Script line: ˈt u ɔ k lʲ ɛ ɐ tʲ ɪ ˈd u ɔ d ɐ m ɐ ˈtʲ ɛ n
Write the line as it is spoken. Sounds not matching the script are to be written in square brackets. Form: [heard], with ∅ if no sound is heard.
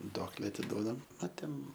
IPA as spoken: [ˈd] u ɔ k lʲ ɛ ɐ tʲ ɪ ˈd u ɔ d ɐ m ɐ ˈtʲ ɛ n